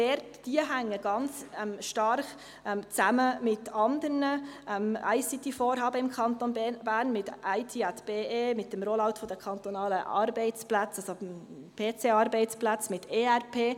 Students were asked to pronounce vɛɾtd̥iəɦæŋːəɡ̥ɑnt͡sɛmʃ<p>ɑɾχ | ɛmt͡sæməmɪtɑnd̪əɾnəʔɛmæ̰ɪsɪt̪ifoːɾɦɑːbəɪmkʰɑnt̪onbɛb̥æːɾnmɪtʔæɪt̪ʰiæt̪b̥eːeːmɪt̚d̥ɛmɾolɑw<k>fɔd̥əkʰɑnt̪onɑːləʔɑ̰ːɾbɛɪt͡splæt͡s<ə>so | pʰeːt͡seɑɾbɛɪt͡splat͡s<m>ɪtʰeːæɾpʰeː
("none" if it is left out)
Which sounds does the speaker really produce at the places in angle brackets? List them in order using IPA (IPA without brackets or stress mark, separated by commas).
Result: t, t, ɑ, m